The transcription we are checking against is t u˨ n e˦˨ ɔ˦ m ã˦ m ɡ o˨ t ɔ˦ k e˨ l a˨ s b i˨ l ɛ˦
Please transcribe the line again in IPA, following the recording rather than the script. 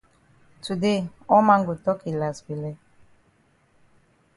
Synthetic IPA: t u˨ d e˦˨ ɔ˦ m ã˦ ŋ ɡ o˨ t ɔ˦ k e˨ l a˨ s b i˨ l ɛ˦